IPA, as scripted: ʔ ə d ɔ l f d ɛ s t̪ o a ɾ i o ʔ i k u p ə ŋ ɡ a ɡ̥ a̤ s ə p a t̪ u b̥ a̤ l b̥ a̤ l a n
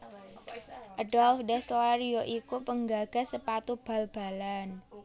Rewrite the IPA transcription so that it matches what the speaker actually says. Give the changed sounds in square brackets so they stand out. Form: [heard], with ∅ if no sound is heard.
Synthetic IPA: ʔ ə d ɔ l f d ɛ s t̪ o a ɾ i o ʔ i k u p ə ŋ ɡ a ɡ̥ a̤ s ə p a t̪ u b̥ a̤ l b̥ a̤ l a n